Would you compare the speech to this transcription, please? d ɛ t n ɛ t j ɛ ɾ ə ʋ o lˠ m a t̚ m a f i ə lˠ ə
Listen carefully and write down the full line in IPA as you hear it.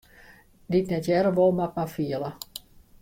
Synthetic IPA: d i t n ɛ t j ɛ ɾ ə ʋ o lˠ m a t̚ m a f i ə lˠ ə